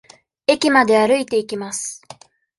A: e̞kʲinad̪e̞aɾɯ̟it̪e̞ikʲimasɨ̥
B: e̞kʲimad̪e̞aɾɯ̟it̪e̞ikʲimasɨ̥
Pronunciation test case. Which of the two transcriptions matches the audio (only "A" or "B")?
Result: B